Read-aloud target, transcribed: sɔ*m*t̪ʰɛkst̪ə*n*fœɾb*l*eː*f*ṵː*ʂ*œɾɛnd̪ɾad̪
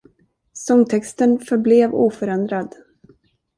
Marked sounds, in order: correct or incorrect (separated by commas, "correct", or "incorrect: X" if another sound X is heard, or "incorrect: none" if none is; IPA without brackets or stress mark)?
incorrect: ŋ, correct, correct, incorrect: v, incorrect: f